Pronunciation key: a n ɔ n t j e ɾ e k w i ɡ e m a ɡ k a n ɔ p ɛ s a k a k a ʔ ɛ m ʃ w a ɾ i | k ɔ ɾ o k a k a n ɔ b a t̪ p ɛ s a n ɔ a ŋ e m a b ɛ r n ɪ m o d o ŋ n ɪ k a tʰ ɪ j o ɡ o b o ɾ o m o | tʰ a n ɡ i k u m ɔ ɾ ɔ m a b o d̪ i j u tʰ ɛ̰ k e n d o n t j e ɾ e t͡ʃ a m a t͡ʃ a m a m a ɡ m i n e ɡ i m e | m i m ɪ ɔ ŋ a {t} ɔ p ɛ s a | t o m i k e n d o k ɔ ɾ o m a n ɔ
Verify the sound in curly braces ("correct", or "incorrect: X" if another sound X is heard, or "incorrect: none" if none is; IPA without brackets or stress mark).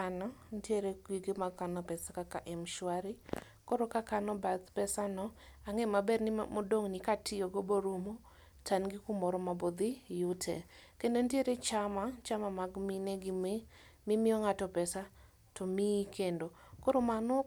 correct